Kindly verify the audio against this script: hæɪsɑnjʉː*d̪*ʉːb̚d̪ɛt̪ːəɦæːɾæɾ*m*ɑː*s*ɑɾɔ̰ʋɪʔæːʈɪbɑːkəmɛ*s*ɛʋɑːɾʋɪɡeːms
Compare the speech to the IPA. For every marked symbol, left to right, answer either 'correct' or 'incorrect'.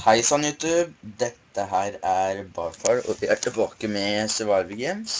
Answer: incorrect: t̪, incorrect: b, incorrect: f, correct

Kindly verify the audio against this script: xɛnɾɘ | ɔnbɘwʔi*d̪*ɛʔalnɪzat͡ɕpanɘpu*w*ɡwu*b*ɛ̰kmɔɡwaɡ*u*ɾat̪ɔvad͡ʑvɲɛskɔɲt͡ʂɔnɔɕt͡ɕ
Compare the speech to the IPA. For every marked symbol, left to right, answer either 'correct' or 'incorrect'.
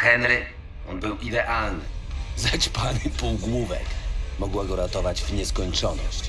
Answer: correct, correct, incorrect: v, incorrect: ɔ

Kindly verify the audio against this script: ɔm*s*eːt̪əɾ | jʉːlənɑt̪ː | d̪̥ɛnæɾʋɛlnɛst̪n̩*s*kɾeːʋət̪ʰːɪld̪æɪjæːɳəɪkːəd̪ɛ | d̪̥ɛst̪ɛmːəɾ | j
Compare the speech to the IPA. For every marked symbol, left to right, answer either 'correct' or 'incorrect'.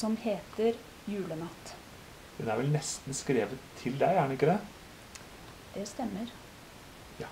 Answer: incorrect: h, correct

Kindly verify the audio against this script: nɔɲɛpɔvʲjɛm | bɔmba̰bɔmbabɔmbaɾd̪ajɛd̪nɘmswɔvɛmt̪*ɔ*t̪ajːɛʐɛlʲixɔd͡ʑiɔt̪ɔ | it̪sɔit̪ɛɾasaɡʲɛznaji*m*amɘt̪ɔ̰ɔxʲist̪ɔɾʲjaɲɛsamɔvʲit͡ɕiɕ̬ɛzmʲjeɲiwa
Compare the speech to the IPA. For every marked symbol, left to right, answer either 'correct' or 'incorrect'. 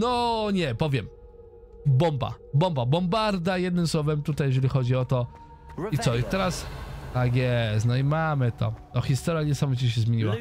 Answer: incorrect: u, correct

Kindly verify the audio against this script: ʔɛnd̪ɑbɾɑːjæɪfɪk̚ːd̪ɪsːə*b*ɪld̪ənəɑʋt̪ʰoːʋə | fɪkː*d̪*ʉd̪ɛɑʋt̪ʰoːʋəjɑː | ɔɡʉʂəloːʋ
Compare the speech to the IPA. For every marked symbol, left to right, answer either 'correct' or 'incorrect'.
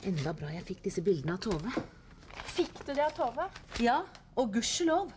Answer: correct, correct

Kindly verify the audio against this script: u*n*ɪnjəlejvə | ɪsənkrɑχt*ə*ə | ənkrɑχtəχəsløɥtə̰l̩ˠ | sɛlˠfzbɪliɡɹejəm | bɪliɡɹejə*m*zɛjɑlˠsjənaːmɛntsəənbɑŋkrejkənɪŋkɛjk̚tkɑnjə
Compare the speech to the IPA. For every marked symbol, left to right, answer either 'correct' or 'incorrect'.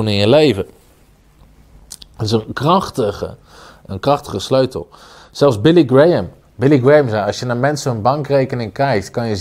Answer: correct, correct, correct

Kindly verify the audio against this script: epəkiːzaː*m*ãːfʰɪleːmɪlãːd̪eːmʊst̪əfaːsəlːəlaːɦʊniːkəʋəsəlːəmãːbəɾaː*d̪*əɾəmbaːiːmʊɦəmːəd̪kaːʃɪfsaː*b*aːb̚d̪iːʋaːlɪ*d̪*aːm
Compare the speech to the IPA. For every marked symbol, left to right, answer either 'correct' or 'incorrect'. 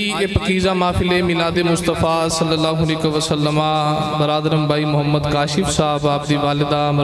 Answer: correct, correct, correct, correct

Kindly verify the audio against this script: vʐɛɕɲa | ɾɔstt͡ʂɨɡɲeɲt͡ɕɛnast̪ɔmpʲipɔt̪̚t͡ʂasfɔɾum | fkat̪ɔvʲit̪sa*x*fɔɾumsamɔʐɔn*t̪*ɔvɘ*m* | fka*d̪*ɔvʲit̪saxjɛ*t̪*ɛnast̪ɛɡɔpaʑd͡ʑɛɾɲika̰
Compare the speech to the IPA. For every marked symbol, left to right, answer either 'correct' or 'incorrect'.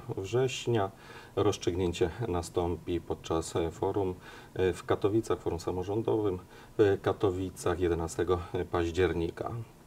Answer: correct, incorrect: d̪, correct, incorrect: t̪, incorrect: d̪

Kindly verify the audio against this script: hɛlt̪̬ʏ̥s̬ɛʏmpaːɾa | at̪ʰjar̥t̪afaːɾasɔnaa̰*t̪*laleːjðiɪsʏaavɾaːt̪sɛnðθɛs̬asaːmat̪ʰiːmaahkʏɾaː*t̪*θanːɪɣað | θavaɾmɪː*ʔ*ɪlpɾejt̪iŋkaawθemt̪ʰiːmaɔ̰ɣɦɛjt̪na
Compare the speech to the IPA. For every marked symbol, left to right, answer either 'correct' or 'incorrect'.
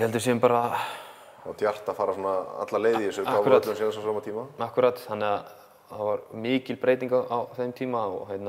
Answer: correct, correct, incorrect: c

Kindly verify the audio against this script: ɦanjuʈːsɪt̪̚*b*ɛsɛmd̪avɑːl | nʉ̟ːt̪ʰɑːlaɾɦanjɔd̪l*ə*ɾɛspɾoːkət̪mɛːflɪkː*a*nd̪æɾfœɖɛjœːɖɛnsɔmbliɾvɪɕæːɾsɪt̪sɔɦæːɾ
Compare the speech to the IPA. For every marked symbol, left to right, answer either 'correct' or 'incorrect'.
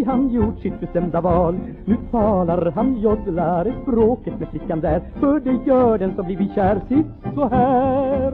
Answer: correct, incorrect: a, correct

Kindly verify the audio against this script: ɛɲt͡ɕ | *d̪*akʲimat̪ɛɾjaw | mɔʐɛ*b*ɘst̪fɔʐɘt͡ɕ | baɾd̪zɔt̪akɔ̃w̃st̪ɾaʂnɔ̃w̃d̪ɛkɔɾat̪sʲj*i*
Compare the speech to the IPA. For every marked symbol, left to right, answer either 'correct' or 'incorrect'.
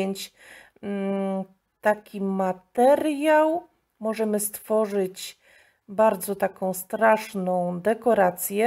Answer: incorrect: t̪, incorrect: m, incorrect: ɛ

